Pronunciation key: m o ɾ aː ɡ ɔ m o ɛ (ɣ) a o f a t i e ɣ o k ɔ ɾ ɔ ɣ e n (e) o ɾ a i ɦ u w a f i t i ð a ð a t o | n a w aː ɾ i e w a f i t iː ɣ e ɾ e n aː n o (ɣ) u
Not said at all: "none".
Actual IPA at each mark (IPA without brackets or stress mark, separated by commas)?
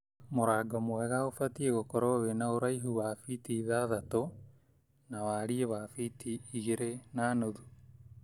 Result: ɣ, a, ð